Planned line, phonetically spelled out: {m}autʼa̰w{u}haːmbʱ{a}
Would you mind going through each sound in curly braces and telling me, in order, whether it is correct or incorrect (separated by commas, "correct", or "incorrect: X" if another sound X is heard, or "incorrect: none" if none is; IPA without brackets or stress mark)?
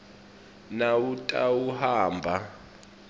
incorrect: n, correct, correct